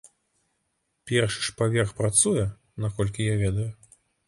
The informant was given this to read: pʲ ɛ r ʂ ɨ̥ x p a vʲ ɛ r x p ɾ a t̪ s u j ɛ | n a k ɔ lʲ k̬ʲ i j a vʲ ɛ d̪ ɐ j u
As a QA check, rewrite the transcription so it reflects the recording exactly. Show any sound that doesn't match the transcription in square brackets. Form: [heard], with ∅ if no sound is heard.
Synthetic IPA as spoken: pʲ ɛ r ʂ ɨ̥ [ʂ] p a vʲ ɛ r x p ɾ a t̪ s u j ɛ | n a k ɔ lʲ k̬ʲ i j a vʲ ɛ d̪ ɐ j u

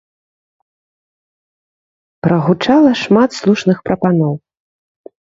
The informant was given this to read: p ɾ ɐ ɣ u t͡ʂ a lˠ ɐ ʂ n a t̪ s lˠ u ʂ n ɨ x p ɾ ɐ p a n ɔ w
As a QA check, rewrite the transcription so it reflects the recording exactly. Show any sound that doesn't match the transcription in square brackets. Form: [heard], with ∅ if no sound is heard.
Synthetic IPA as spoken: p ɾ ɐ ɣ u t͡ʂ a lˠ ɐ ʂ [m] a t̪ s lˠ u ʂ n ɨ x p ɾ ɐ p a n ɔ w

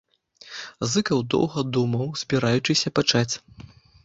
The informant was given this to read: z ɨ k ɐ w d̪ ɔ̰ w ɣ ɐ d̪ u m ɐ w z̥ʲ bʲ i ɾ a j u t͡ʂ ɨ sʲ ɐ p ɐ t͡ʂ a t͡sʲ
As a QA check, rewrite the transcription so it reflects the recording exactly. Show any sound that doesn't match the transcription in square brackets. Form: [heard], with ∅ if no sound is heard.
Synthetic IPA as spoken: z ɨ k ɐ w d̪ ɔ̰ w ɣ ɐ d̪ u m ɐ w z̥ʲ bʲ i ɾ a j u t͡ʂ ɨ sʲ ɐ p [a] t͡ʂ a t͡sʲ

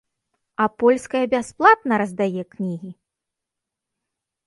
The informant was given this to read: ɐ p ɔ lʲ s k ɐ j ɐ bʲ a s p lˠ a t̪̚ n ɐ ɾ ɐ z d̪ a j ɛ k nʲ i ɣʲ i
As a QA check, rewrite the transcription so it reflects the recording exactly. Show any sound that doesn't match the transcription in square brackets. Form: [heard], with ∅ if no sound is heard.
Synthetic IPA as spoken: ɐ p ɔ lʲ s k ɐ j ɐ bʲ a s p lˠ a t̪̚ n ɐ ɾ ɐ z d̪ a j ɛ k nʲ i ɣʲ i

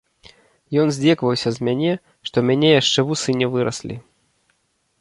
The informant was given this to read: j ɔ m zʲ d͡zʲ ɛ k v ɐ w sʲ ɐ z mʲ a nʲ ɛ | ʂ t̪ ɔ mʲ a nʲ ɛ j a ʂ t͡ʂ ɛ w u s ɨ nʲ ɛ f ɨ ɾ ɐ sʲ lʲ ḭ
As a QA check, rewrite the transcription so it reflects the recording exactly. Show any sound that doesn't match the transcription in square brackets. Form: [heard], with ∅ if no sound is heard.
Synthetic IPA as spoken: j ɔ [n] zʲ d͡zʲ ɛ k v ɐ w sʲ ɐ z mʲ a nʲ ɛ | ʂ t̪ ɔ mʲ a nʲ ɛ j a ʂ t͡ʂ ɛ [v] u s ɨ nʲ ɛ [v] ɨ ɾ ɐ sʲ lʲ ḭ

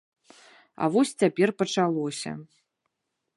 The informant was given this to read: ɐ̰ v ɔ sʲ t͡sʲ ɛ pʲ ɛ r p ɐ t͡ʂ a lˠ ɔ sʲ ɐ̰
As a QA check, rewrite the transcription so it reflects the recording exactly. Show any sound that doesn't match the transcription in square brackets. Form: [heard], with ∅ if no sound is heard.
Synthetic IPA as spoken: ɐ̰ v ɔ sʲ t͡sʲ [a] pʲ ɛ r p ɐ t͡ʂ a lˠ ɔ sʲ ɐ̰

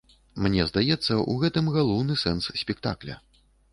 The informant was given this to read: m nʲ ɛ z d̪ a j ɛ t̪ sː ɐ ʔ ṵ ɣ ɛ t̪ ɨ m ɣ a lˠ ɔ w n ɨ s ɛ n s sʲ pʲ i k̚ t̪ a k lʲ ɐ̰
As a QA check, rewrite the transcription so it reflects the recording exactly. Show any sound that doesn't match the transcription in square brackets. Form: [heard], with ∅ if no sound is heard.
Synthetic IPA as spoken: m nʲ ɛ z d̪ a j ɛ t̪ sː ɐ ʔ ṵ ɣ ɛ t̪ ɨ m ɣ a lˠ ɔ w n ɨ s ɛ n s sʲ pʲ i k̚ t̪ a k lʲ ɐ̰

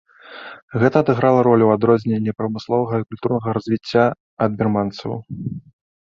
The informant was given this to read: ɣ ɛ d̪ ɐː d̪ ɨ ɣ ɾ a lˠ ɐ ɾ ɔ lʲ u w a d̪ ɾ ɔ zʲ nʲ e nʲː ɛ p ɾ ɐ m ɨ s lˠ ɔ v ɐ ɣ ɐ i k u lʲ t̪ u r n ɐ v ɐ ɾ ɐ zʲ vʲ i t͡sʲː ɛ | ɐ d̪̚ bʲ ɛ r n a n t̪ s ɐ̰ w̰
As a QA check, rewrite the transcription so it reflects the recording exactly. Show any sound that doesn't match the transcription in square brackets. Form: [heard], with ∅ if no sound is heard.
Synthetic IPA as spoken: ɣ ɛ [t̪] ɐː d̪ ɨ ɣ ɾ a lˠ ɐ ɾ ɔ lʲ u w a d̪ ɾ ɔ zʲ nʲ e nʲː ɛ p ɾ ɐ m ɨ s lˠ ɔ v ɐ ɣ ɐ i k u lʲ t̪ u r n ɐ [ɣ] ɐ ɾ ɐ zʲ vʲ i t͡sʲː [a] | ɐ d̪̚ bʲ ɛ r [m] a n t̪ s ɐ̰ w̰

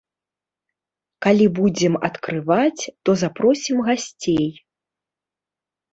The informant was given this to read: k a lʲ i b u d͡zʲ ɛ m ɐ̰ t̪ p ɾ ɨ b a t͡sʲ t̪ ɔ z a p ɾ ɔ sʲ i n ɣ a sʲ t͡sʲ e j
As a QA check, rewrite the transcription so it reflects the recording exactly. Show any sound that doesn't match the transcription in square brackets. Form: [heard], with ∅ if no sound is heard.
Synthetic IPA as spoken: k a lʲ i b u d͡zʲ ɛ m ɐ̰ t̪ [k] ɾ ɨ [v] a t͡sʲ t̪ ɔ z a p ɾ ɔ sʲ i [m] ɣ a sʲ t͡sʲ e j

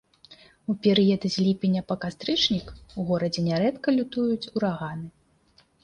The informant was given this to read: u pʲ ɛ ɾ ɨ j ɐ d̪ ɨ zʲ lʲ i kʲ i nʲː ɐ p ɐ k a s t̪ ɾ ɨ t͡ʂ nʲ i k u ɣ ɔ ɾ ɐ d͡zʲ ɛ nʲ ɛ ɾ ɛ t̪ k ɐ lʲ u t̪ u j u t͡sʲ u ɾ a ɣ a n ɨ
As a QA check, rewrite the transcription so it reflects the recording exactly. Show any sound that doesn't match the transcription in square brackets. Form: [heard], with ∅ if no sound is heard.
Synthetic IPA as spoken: u pʲ ɛ ɾ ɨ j ɐ d̪ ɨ zʲ lʲ i [pʲ] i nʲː ɐ p ɐ k a s t̪ ɾ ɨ t͡ʂ nʲ i k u ɣ ɔ ɾ ɐ d͡zʲ ɛ nʲ ɛ ɾ ɛ t̪ k ɐ lʲ u t̪ u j u t͡sʲ u ɾ a ɣ a n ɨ

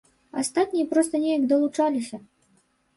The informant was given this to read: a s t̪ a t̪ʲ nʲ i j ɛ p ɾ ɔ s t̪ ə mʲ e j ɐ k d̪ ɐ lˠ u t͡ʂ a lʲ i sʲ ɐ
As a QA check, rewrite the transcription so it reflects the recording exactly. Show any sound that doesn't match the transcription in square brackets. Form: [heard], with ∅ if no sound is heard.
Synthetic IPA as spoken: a s t̪ a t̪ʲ nʲ i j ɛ p ɾ ɔ s t̪ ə [nʲ] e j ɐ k d̪ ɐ lˠ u t͡ʂ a lʲ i sʲ ɐ

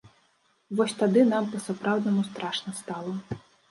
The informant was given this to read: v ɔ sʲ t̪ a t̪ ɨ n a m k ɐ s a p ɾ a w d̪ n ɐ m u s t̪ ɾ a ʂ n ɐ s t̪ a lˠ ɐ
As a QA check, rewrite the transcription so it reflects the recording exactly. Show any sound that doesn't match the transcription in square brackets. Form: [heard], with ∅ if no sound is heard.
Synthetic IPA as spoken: v ɔ sʲ t̪ a [d̪] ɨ n a m [p] ɐ s a p ɾ a w d̪ n ɐ m u s t̪ ɾ a ʂ n ɐ s t̪ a lˠ ɐ

